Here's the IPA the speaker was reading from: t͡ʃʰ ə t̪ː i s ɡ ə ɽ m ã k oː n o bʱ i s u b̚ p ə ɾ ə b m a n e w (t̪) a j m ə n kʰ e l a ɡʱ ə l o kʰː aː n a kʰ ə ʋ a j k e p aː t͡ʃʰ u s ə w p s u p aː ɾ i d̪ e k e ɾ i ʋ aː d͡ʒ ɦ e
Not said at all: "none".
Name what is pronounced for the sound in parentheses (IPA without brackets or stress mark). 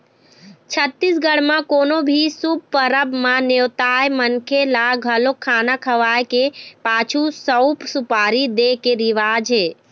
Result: t̪